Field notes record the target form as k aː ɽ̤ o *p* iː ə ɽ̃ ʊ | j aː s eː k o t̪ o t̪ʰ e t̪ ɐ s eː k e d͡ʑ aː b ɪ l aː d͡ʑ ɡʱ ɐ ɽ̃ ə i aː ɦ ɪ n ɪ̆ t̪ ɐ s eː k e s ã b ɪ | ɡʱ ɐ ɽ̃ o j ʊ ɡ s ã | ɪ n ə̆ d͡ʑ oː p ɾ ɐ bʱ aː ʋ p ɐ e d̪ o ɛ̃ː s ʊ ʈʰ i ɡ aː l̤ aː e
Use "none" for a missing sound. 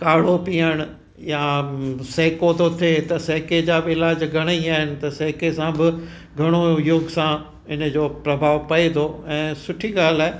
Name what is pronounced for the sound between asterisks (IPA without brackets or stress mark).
p